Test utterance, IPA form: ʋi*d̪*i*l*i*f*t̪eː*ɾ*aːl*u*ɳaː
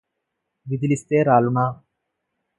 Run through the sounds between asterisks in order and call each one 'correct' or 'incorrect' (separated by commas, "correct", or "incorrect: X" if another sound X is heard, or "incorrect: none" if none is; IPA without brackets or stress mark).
correct, correct, incorrect: s, correct, correct